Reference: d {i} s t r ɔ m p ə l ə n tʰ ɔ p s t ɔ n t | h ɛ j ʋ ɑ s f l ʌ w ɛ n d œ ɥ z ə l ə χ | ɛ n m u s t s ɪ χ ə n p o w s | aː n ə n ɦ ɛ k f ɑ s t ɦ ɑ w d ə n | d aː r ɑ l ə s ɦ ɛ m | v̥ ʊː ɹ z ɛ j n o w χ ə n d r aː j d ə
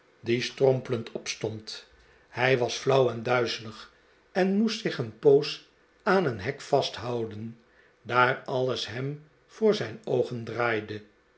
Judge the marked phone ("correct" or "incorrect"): correct